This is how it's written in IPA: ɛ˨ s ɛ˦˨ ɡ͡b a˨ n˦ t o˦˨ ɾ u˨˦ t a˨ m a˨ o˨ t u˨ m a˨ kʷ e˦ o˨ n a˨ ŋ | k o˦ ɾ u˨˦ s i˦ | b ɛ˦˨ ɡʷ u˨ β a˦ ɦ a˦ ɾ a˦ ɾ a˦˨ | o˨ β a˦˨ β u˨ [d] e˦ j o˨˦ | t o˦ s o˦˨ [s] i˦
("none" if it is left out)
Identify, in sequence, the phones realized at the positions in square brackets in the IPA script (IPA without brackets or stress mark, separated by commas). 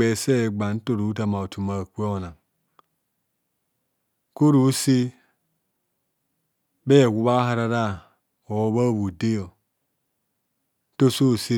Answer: d, s